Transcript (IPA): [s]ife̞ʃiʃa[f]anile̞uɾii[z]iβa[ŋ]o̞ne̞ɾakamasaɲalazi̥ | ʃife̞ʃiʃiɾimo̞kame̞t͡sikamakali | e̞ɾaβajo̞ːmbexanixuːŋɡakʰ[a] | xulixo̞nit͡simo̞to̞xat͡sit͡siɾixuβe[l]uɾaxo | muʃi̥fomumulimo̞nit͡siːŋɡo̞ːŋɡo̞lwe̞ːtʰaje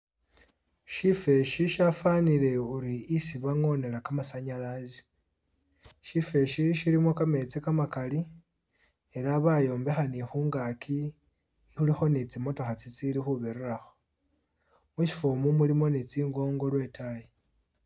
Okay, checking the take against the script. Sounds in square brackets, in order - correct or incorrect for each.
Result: incorrect, correct, incorrect, correct, incorrect, incorrect

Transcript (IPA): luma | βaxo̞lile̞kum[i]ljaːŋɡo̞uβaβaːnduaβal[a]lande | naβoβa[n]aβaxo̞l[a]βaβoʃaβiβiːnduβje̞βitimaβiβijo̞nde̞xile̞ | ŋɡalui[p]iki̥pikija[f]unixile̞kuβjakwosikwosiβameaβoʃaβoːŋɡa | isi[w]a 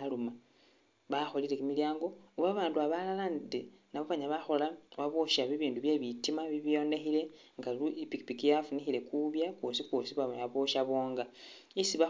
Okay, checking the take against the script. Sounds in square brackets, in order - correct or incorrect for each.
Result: correct, correct, incorrect, correct, correct, correct, incorrect

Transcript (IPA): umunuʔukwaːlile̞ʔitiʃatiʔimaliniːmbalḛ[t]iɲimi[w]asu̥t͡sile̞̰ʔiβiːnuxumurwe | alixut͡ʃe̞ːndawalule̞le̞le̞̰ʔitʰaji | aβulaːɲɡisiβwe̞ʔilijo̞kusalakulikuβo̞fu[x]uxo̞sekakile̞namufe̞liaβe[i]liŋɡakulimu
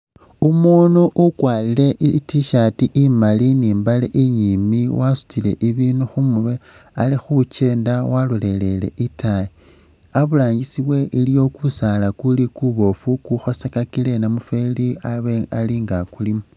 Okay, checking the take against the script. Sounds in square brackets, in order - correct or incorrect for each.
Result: incorrect, correct, incorrect, incorrect

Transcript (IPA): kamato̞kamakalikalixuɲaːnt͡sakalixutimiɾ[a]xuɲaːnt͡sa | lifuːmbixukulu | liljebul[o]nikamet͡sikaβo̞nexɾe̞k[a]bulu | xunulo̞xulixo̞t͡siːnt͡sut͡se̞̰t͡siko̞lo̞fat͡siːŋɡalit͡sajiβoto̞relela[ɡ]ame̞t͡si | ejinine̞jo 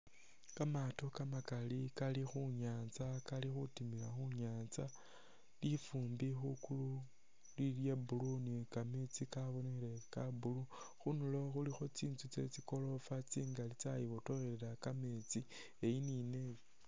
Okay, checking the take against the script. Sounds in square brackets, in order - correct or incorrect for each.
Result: correct, incorrect, correct, incorrect

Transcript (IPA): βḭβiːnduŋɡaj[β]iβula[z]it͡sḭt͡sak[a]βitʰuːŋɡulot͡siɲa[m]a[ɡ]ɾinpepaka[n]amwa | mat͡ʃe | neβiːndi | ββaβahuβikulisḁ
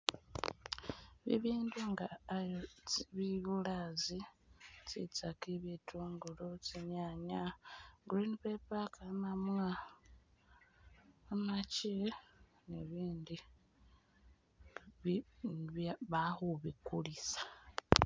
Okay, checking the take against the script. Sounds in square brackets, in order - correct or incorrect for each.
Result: correct, correct, incorrect, incorrect, correct, incorrect

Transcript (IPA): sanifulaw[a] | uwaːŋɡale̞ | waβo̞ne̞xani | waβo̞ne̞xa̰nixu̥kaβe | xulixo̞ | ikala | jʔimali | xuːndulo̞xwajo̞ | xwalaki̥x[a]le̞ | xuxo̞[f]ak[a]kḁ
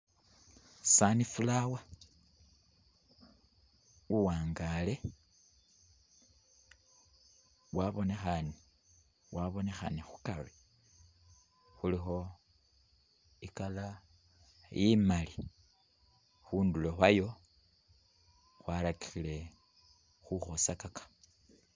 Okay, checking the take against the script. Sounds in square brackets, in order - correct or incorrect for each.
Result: correct, incorrect, incorrect, correct

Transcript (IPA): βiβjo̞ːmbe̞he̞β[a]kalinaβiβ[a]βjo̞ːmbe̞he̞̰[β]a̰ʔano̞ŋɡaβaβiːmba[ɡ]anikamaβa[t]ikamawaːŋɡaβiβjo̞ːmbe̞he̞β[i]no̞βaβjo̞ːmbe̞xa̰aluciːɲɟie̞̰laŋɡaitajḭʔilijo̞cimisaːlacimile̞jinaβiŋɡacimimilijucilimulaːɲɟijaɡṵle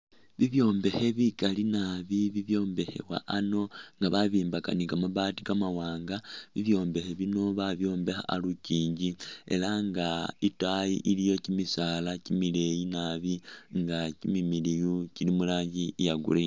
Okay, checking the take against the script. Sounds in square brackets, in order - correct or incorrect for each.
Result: incorrect, incorrect, incorrect, incorrect, correct, correct

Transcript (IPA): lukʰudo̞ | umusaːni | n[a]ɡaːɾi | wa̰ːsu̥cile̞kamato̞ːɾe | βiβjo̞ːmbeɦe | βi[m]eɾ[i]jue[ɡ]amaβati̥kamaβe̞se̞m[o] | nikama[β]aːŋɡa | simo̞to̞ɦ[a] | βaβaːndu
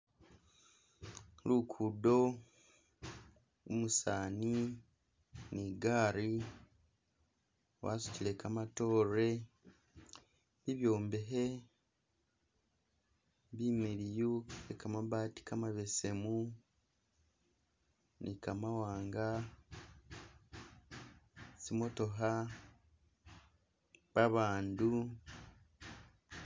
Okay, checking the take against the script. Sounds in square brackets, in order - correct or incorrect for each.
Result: incorrect, correct, correct, incorrect, incorrect, incorrect, correct

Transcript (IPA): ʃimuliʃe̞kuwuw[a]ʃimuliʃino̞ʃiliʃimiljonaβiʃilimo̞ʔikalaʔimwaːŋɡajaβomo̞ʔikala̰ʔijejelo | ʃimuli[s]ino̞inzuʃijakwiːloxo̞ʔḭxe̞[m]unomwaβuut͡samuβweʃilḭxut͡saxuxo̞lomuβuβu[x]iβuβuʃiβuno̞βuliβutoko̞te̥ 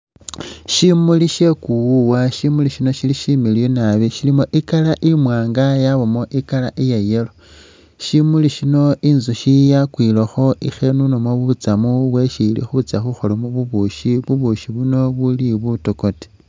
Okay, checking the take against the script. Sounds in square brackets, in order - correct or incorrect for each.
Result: correct, incorrect, incorrect, incorrect

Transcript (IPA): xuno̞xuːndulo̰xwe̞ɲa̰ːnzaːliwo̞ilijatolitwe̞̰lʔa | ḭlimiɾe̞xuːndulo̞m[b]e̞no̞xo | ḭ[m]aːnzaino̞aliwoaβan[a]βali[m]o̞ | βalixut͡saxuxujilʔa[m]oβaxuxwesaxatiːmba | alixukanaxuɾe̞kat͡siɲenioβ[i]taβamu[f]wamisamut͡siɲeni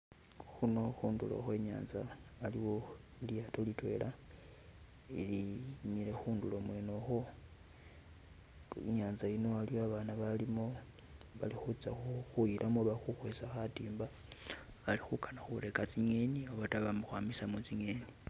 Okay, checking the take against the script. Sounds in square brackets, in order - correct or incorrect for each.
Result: incorrect, incorrect, correct, correct, correct, incorrect, incorrect

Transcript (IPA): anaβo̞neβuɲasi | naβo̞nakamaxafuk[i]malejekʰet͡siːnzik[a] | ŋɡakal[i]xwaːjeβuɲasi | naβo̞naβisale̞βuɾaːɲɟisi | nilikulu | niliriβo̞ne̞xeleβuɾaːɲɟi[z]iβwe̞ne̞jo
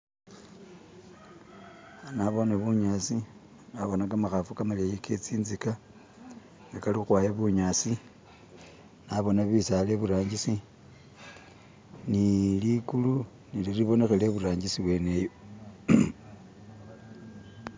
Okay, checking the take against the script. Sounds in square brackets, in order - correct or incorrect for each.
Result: incorrect, correct, correct, incorrect

